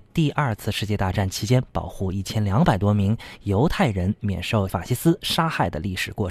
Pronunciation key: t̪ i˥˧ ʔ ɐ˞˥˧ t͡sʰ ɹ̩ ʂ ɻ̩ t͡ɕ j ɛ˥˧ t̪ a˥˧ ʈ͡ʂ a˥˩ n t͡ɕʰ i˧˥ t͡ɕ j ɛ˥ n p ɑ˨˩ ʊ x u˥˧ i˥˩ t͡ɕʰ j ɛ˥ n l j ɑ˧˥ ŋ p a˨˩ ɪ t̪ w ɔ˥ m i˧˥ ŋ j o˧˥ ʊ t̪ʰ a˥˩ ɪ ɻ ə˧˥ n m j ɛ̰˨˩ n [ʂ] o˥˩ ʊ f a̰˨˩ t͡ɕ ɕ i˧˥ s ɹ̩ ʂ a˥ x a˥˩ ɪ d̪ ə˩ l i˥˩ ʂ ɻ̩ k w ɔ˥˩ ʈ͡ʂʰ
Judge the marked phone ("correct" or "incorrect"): correct